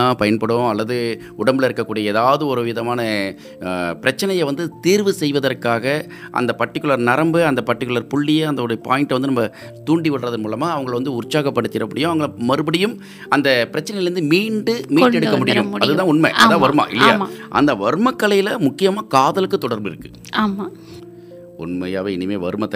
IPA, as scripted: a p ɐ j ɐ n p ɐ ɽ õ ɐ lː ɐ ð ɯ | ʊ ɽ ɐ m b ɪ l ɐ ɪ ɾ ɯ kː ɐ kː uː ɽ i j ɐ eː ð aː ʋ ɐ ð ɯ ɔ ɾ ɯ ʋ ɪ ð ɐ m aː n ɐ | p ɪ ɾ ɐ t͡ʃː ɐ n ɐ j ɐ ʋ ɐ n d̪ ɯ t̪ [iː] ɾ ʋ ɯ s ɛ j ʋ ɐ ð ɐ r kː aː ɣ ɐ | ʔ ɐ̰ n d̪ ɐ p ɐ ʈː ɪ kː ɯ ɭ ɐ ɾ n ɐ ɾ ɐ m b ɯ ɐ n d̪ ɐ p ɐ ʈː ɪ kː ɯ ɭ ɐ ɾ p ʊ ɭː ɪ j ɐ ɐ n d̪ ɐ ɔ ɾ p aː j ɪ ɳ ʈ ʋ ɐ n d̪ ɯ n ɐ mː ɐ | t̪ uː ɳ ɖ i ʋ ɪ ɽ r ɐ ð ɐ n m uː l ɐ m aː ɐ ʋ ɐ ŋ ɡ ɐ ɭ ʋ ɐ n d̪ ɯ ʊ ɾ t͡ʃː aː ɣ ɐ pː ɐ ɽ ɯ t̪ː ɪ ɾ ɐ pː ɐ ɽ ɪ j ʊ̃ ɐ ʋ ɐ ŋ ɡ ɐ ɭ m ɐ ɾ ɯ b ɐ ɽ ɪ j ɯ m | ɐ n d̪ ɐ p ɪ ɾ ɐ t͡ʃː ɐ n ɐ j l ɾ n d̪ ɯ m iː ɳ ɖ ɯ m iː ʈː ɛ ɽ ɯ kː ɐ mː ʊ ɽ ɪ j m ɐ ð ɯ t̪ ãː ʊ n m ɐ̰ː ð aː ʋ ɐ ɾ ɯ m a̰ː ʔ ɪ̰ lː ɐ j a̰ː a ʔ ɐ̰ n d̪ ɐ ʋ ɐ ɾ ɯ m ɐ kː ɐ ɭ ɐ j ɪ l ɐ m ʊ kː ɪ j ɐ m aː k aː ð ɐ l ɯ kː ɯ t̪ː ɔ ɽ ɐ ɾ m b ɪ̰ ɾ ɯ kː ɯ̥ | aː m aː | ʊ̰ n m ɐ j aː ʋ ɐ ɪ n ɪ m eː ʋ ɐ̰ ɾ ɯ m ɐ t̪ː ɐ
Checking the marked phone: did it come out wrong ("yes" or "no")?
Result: no